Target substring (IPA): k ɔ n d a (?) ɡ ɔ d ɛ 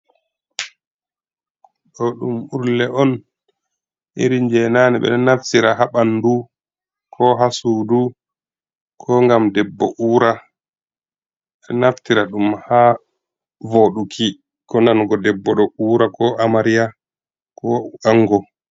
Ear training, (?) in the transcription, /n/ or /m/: n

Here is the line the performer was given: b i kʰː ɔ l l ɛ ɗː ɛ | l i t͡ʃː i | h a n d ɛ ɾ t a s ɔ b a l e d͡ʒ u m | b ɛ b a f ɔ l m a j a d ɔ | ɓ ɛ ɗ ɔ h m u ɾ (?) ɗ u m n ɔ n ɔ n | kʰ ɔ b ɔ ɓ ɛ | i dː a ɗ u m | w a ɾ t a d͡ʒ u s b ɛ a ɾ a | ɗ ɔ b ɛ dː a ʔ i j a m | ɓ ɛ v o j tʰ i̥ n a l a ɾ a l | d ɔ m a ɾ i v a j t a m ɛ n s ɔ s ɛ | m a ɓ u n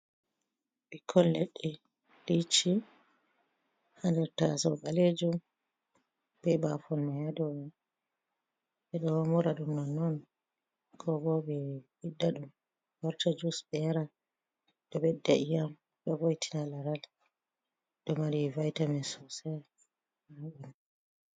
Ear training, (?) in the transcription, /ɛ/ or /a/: a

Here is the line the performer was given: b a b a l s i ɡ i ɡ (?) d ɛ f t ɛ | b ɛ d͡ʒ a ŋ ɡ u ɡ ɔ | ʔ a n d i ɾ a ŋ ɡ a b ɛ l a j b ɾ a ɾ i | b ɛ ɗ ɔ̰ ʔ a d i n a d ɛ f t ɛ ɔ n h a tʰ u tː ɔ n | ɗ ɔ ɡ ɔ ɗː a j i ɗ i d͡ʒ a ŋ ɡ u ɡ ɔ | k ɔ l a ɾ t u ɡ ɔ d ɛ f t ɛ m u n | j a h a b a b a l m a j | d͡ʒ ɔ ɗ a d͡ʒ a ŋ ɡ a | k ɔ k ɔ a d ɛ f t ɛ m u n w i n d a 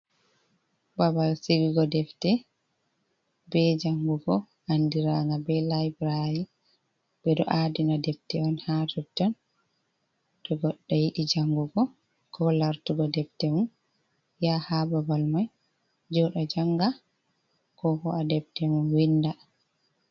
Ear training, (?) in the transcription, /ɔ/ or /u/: ɔ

